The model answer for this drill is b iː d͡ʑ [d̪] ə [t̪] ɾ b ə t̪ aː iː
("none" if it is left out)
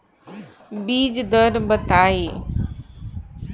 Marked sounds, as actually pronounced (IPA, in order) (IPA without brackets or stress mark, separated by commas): d̪, none